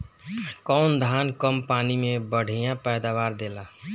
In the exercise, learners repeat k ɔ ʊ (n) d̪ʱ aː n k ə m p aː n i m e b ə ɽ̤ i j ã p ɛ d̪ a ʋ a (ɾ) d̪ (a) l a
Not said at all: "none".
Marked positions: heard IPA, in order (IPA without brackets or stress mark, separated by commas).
n, ɾ, e